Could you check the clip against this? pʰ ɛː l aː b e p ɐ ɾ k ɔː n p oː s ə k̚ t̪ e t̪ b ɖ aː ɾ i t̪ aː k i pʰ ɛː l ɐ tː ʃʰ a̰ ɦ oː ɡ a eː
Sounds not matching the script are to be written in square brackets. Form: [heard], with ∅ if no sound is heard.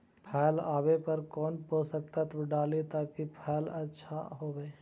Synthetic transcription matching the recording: pʰ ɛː l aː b e p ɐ ɾ k ɔː n p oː s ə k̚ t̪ [a] t̪ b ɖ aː [l] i t̪ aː k i pʰ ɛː l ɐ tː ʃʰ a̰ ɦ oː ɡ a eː